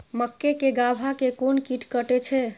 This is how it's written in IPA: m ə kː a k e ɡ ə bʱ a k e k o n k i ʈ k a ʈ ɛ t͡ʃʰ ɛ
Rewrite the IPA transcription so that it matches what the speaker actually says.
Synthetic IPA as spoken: m ə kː e k e ɡ a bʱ a k e k o n k i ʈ k ə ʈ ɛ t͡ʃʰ ɛ